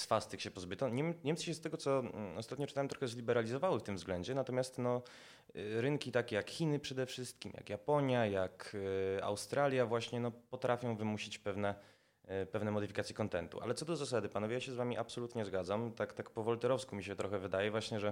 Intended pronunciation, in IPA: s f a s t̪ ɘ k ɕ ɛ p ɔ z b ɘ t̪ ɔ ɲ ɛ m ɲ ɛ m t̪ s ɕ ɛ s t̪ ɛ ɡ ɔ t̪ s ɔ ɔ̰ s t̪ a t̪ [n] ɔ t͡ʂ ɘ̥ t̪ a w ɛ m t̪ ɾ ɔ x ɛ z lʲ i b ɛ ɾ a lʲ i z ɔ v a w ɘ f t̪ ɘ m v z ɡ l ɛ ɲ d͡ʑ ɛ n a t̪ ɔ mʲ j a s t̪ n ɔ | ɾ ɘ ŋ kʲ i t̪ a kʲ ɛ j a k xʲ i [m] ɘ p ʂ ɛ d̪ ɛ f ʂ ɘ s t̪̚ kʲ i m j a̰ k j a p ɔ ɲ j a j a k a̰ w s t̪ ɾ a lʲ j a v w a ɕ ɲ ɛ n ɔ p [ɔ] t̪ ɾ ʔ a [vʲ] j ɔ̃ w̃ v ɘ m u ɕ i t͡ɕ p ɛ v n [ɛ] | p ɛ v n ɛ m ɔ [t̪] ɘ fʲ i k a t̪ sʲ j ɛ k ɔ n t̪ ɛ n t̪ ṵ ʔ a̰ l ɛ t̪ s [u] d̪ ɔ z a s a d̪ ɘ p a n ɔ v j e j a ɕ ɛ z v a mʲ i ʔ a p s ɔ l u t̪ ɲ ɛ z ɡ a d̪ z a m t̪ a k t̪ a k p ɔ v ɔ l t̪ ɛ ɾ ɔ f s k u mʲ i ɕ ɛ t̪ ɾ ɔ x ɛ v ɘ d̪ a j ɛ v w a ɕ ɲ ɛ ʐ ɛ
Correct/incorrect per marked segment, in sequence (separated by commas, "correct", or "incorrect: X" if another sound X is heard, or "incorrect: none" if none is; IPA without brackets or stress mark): incorrect: ɲ, incorrect: n, correct, incorrect: fʲ, correct, incorrect: d̪, incorrect: ɔ